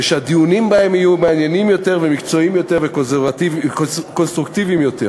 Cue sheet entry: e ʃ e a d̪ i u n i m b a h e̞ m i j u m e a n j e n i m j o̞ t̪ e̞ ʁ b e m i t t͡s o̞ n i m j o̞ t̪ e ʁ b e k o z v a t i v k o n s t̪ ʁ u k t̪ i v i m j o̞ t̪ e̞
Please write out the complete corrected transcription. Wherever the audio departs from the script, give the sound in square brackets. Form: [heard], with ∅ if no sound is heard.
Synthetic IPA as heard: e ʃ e a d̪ i u n i m b a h e̞ m i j u m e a n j e n i m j o̞ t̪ e̞ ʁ [v] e m i [k] t͡s o̞ [∅] i m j o̞ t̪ e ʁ [v] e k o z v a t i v k o n s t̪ ʁ u k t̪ i v i m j o̞ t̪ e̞